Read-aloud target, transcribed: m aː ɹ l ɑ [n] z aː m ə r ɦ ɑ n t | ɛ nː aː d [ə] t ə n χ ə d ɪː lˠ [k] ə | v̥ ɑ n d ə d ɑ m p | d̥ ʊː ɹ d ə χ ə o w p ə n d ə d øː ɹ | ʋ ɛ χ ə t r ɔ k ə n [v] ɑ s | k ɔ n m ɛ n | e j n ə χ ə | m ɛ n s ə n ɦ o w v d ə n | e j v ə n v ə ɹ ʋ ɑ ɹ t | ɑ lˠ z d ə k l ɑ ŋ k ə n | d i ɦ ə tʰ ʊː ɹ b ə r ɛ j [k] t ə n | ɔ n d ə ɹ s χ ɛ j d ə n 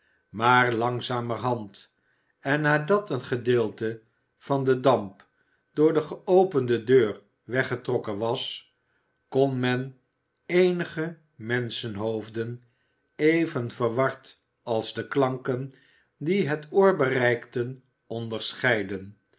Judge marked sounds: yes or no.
no, no, no, no, yes

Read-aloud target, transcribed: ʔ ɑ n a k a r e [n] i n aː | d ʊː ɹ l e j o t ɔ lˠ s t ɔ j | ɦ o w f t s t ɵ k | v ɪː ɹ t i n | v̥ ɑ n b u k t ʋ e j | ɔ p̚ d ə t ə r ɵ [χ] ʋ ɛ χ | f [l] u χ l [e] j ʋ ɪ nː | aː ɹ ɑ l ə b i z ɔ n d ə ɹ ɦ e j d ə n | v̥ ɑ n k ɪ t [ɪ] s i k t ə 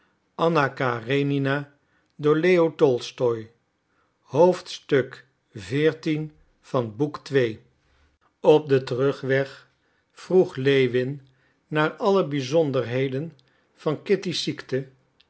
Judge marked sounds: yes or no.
yes, yes, no, yes, no

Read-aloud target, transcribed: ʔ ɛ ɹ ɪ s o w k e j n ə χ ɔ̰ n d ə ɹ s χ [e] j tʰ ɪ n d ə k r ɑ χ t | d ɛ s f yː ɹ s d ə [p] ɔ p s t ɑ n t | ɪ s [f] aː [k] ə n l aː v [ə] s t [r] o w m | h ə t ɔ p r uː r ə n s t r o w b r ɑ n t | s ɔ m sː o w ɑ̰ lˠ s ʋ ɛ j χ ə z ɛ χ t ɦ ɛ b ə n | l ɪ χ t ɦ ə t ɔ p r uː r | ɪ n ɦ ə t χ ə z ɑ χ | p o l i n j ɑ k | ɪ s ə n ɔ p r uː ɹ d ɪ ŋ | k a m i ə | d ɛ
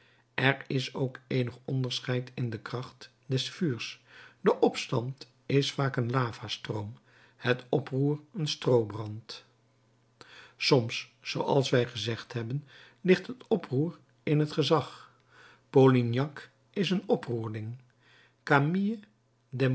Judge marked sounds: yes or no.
no, no, yes, yes, no, yes

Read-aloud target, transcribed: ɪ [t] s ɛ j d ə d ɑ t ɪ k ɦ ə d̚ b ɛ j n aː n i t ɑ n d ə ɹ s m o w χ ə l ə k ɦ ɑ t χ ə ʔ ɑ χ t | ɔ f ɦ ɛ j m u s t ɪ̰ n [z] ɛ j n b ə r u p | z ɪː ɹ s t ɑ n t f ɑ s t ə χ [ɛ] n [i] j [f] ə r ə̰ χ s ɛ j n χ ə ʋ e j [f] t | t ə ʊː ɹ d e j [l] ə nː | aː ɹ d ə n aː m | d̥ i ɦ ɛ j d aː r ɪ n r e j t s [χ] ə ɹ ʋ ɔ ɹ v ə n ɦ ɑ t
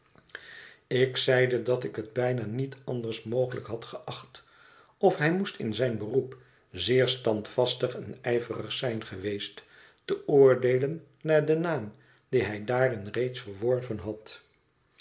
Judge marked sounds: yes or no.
no, yes, yes, no, no, no, yes, no

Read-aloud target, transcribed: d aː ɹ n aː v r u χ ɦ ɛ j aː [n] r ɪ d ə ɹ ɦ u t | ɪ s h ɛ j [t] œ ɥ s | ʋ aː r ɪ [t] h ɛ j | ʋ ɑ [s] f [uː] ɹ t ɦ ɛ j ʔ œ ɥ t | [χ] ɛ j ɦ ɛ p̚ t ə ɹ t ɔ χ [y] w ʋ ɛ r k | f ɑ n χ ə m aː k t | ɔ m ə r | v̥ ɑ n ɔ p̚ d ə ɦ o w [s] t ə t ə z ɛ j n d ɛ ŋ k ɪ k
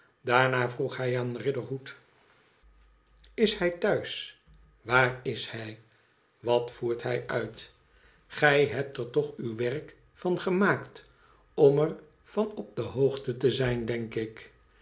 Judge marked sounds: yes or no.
yes, yes, no, no, yes, yes, yes, no

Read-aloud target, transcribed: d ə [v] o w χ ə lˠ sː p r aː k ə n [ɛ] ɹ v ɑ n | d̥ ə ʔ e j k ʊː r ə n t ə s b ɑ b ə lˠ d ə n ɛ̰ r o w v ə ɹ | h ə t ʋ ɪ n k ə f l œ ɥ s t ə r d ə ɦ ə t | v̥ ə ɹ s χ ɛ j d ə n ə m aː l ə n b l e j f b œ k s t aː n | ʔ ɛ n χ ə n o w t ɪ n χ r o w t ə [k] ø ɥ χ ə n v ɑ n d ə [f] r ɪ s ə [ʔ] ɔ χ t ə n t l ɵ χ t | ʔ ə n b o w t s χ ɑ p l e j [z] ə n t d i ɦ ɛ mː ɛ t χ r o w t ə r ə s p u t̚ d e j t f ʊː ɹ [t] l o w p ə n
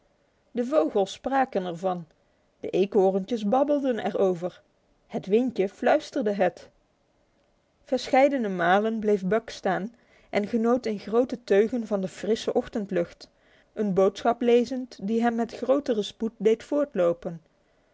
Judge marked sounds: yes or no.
yes, yes, no, yes, yes, yes, yes

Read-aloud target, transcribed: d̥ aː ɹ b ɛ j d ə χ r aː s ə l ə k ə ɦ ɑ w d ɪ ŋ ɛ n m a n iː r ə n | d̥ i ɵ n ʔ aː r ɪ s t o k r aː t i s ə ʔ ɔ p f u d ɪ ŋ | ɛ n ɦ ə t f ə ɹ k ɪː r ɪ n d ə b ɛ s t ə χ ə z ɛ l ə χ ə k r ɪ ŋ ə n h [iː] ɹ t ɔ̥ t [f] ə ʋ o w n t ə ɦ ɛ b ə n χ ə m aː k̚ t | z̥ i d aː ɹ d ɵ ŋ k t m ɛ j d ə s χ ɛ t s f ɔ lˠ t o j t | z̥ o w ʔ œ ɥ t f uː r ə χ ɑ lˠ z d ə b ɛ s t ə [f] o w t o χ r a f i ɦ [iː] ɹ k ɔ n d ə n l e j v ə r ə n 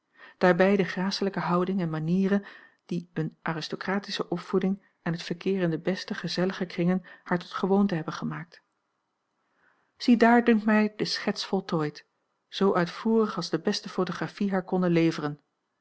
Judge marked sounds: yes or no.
no, no, yes, no

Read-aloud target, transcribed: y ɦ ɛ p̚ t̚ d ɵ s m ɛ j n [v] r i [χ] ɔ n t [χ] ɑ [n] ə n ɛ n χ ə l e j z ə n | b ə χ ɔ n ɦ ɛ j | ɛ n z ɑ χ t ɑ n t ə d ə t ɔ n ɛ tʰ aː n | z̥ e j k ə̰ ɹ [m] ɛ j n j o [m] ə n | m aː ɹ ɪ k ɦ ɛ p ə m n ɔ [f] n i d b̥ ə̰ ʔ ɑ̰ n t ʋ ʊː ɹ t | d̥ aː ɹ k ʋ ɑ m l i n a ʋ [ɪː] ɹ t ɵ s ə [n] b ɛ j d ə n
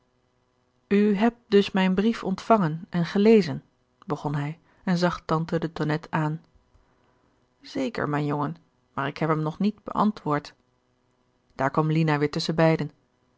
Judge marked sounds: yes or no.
no, no, no, no, yes, no, no, yes, yes

